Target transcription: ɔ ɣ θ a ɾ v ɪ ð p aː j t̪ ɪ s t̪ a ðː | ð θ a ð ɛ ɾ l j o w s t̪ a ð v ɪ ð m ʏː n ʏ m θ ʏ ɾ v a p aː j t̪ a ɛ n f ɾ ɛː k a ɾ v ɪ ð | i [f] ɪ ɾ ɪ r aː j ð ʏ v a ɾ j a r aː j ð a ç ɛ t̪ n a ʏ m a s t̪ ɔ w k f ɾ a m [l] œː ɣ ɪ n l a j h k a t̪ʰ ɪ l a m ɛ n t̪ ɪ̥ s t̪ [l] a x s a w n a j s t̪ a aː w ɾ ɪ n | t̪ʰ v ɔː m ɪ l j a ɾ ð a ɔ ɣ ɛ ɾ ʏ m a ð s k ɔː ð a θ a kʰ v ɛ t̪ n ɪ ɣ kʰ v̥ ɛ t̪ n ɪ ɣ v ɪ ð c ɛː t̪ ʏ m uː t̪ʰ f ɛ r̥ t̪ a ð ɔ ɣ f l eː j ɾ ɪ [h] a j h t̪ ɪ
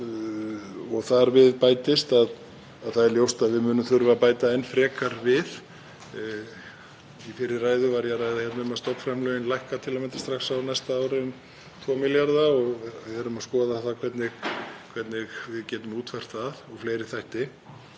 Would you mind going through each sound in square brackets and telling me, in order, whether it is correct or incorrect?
correct, correct, incorrect, incorrect

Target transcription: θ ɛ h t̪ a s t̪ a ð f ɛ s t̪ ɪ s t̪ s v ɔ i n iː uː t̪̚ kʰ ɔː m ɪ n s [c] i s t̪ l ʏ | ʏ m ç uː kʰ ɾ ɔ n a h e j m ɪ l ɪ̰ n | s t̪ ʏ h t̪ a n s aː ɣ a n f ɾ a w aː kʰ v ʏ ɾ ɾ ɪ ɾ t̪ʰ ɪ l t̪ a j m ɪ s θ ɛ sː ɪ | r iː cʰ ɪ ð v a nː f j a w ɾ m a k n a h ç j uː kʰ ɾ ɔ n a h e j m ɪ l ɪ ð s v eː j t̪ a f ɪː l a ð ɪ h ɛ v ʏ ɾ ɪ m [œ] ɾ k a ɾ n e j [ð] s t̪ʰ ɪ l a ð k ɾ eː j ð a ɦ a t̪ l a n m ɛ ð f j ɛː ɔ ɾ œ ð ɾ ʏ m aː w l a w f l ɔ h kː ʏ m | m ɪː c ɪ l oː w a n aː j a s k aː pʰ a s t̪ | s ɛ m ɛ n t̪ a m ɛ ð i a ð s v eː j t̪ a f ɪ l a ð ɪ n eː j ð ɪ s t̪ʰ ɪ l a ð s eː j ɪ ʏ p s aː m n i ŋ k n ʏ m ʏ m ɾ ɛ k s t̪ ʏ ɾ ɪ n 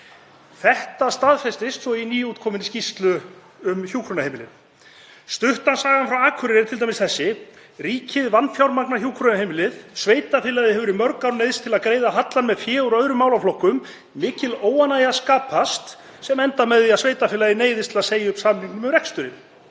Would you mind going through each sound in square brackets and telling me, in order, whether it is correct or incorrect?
correct, correct, correct

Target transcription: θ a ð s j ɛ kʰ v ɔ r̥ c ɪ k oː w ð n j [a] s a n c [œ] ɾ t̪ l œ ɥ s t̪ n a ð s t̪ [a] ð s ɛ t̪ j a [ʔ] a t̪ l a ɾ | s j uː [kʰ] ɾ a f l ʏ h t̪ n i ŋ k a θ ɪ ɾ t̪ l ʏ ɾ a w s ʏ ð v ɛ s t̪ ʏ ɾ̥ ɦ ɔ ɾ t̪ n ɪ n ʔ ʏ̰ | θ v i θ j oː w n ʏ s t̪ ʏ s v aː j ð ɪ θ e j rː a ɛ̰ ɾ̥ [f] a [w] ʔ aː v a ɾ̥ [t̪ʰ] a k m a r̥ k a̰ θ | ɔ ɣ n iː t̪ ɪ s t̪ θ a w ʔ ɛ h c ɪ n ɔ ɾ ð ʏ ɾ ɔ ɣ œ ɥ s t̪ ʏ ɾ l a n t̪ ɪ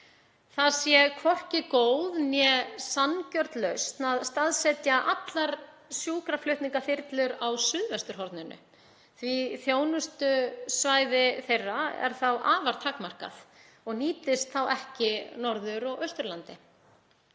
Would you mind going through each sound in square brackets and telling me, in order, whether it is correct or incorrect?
incorrect, correct, correct, correct, incorrect, incorrect, correct, correct

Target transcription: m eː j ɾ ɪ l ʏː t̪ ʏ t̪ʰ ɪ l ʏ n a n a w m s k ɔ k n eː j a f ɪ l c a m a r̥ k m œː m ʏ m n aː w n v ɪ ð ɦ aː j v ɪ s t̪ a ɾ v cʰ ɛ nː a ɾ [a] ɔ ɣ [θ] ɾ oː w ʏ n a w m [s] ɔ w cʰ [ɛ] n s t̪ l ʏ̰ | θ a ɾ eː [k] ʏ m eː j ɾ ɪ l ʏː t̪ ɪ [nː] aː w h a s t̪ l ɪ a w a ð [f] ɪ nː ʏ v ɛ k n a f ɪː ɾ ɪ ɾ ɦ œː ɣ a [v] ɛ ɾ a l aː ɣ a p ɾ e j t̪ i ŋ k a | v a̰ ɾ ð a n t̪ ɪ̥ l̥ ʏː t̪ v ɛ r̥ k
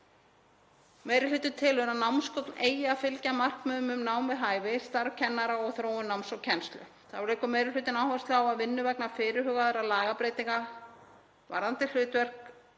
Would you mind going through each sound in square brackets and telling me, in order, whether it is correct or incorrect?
correct, correct, correct, correct, correct, incorrect, incorrect, incorrect

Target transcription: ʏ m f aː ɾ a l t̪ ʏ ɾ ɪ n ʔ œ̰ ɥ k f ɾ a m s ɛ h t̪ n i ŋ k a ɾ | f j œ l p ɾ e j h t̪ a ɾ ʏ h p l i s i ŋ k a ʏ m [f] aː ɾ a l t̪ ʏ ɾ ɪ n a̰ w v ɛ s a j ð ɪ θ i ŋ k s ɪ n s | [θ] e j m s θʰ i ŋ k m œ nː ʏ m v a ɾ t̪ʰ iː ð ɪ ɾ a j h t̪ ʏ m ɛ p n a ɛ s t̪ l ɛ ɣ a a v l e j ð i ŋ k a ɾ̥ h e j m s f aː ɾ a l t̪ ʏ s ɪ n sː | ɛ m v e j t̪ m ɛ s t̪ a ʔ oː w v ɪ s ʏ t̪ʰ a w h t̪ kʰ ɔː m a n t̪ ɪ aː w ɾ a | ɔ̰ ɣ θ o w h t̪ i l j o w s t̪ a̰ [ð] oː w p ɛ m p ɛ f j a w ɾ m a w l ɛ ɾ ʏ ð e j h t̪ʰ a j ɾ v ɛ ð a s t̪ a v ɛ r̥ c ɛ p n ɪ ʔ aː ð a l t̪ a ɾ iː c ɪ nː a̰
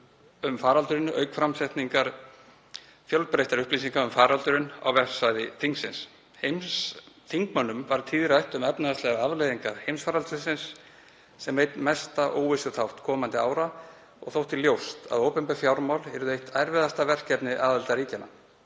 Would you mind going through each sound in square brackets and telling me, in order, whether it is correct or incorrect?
correct, incorrect, correct

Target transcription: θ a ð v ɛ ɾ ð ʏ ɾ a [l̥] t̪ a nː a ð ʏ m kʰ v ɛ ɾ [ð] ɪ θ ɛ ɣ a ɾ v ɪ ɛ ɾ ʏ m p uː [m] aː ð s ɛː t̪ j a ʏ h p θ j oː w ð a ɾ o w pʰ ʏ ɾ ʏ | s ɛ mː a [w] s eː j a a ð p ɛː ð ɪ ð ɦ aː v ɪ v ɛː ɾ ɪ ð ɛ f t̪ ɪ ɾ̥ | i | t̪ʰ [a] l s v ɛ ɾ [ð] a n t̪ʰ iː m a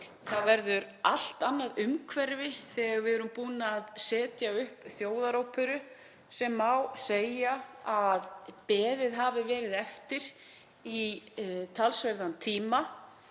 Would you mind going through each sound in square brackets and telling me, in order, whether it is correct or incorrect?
correct, incorrect, incorrect, correct, correct, correct

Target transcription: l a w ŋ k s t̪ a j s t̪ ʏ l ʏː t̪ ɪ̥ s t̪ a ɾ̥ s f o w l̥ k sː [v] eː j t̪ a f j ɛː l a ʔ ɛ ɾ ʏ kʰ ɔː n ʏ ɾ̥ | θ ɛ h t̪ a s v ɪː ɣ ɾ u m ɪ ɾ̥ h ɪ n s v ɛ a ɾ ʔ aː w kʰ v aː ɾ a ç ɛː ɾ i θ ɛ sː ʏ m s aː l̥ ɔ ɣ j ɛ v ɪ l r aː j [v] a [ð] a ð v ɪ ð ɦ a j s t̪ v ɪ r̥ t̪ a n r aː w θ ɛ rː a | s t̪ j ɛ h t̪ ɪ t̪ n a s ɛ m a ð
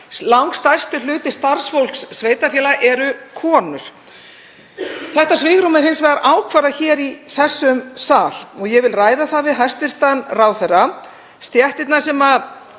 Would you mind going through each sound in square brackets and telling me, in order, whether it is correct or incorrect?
correct, incorrect, incorrect

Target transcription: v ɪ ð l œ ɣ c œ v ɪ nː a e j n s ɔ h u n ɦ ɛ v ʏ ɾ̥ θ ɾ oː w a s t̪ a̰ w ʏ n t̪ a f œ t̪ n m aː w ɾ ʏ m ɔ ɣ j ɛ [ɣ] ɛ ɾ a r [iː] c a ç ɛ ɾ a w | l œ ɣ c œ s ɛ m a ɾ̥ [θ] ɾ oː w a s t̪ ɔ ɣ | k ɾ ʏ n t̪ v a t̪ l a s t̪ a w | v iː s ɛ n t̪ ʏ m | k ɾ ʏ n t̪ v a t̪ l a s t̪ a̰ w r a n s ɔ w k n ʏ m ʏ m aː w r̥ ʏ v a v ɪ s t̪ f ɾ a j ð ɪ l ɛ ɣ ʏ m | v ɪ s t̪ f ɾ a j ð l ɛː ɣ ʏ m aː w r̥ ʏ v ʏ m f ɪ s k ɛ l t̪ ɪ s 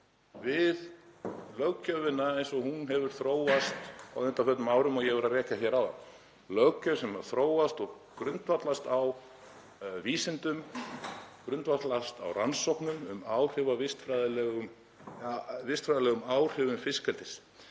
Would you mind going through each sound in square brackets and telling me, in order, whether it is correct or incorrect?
incorrect, incorrect, correct

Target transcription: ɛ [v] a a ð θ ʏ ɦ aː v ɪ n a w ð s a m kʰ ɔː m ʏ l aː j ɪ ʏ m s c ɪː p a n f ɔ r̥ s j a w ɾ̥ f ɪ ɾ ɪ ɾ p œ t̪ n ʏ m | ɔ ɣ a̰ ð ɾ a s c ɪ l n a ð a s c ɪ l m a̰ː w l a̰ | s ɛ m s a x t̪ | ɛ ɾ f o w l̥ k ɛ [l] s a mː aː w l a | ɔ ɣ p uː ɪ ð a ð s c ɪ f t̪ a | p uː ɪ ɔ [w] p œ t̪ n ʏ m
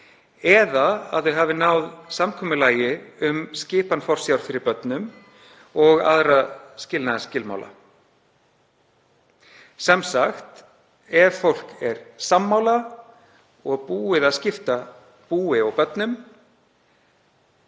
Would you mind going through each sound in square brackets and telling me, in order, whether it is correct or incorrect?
incorrect, incorrect, incorrect

